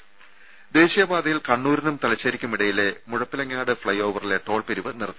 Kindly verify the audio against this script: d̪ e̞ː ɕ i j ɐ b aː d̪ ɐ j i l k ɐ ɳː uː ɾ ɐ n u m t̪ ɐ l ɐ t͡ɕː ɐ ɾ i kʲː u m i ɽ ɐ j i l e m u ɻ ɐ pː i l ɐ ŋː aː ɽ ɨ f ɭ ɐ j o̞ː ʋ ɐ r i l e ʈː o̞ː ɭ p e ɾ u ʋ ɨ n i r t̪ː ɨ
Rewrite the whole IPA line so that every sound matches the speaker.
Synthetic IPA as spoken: d̪ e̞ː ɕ i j ɐ b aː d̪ ɐ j i l k ɐ ɳː uː ɾ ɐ n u m t̪ ɐ l ɐ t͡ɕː ɐ ɾ i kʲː u m i ɽ ɐ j i l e m u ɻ ɐ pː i l ɐ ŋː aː ɽ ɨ f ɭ ɐ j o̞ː ʋ ɐ r i l e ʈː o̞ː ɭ p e ɾ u ʋ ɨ n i r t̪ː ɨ